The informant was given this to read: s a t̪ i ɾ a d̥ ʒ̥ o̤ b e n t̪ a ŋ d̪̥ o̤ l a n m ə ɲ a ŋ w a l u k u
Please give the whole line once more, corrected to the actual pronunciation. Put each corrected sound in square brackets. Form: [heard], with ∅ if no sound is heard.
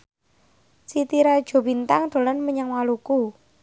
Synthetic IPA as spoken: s [i] t̪ i ɾ a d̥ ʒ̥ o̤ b [i] n t̪ a ŋ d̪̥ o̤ l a n m ə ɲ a ŋ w a l u k u